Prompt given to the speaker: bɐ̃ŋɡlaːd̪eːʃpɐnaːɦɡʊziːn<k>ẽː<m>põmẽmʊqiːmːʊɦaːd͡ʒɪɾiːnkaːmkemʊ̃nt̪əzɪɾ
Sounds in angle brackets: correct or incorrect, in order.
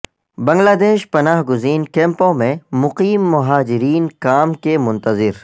correct, correct

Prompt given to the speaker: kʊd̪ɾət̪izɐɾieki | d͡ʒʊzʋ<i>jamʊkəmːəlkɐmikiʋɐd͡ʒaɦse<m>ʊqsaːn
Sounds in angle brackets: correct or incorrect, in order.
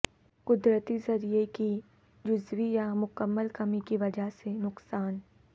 correct, incorrect: n

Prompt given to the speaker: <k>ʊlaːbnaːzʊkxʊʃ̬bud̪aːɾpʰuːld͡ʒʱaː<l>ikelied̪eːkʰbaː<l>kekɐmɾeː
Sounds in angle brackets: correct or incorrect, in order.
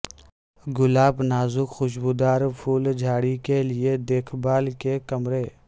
incorrect: ɡ, incorrect: ɽ, correct

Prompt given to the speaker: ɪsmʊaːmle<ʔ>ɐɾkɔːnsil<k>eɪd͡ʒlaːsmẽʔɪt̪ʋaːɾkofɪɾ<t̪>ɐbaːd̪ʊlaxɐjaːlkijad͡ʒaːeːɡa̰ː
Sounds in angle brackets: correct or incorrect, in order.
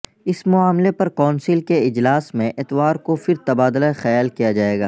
incorrect: p, correct, correct

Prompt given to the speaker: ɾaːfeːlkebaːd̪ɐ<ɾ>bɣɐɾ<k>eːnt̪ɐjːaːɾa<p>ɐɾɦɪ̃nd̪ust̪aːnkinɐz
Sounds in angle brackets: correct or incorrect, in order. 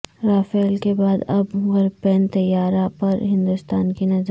incorrect: none, incorrect: p, correct

